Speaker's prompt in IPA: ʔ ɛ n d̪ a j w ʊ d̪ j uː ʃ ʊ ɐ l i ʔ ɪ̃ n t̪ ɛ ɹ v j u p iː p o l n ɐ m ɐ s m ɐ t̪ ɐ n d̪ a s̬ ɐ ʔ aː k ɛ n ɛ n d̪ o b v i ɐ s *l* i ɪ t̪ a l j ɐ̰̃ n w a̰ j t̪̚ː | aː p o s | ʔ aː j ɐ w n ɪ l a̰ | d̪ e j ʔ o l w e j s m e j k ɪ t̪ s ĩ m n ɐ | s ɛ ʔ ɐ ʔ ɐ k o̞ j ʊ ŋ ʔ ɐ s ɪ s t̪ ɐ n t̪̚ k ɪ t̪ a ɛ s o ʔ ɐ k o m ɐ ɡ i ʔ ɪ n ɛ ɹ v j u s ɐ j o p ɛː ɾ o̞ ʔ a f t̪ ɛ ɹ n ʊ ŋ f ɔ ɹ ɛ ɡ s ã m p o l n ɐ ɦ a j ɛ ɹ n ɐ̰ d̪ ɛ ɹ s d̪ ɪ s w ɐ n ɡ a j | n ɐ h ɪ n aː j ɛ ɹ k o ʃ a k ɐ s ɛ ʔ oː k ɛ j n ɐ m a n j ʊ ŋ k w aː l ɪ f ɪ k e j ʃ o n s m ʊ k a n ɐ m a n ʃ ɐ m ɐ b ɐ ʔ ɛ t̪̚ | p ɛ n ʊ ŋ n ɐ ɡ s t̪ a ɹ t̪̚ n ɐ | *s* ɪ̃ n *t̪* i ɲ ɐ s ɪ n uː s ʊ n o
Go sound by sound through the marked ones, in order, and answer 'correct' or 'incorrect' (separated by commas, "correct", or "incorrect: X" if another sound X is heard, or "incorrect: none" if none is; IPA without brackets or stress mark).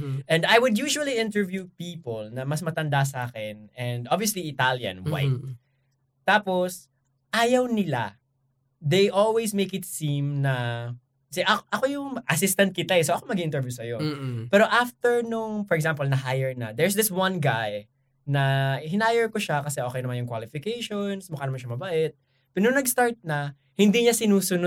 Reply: correct, incorrect: h, incorrect: d̪